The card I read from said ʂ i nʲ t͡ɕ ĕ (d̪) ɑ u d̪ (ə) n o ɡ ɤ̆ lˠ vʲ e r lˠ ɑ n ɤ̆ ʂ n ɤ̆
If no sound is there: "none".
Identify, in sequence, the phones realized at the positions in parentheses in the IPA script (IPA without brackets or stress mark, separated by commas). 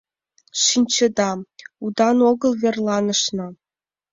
d̪, ɑ